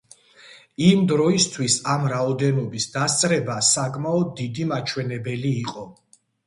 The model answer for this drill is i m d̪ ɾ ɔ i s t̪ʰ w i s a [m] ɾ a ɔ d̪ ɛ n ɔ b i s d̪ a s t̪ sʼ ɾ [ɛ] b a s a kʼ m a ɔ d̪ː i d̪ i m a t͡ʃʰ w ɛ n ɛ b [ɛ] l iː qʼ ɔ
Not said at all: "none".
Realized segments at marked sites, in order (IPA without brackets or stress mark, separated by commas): m, ɛ, ɛ